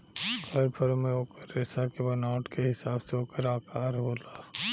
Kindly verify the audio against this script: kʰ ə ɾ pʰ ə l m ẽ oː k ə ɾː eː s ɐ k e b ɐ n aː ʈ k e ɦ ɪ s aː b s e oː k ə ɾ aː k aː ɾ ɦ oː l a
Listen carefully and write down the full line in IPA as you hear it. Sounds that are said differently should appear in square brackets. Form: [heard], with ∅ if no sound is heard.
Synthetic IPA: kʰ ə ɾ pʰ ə [ɾ] m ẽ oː k ə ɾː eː s [a] k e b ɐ n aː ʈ k e ɦ ɪ s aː b s e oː k ə ɾ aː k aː ɾ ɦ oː l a

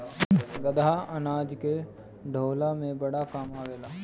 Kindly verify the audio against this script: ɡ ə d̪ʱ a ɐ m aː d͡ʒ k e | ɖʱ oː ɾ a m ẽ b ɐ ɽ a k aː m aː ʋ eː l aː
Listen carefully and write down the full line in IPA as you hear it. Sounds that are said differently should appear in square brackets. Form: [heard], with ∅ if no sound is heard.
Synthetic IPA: ɡ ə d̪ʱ a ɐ [n] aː d͡ʒ k e | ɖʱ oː [l] a m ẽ b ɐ ɽ a k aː m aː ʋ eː l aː

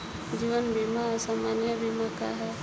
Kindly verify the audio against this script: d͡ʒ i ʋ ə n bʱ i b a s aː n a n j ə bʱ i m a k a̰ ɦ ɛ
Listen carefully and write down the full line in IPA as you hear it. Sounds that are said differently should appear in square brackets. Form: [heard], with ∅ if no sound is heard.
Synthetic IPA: d͡ʒ i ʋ ə n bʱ i [m] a s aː [m] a n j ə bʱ i m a k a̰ ɦ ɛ

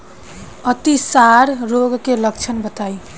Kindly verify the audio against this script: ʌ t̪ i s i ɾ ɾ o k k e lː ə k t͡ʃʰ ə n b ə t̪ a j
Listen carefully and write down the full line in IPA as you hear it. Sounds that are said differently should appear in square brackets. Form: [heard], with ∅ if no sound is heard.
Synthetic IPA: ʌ t̪ i s [a] ɾ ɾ o [ɡ] k e [l] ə k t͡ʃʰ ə n b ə t̪ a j

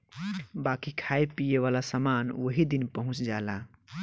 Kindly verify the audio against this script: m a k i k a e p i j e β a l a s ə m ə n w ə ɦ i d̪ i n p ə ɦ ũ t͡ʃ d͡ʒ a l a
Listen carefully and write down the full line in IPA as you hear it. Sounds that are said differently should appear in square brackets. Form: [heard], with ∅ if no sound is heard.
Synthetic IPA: [b] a k i [kʰ] a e p i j e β a l a s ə m [a] n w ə ɦ i d̪ i n p ə ɦ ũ t͡ʃ d͡ʒ a l a

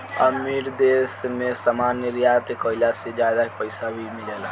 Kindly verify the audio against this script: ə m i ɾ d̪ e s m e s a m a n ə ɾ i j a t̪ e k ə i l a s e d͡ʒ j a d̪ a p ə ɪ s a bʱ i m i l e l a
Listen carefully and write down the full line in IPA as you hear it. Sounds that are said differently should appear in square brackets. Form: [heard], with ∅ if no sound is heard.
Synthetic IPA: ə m i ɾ d̪ e s m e s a m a n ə ɾ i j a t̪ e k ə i l a s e d͡ʒ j a d̪ a p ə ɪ s a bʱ i m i l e l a

